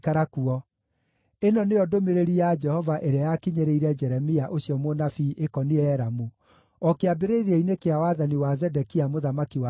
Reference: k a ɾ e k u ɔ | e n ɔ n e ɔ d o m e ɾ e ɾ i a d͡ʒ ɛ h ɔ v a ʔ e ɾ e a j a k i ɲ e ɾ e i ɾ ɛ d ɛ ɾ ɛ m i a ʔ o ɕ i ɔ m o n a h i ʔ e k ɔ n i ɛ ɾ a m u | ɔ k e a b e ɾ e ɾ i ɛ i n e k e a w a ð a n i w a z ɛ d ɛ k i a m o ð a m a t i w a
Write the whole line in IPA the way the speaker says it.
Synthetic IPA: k a ɾ a k u ɔ | e n ɔ n e ɔ d o m e ɾ e ɾ i a d͡ʒ ɛ h ɔ v a ʔ e ɾ e a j a k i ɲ e ɾ e i ɾ ɛ d͡ʒ ɛ ɾ ɛ m i a ʔ o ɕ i ɔ m o n a f i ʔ e k ɔ n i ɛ ɾ a m u | ɔ k e a b e ɾ e ɾ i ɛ i n e k e a w a ð a n i w a z ɛ d ɛ k i a m o ð a m a k i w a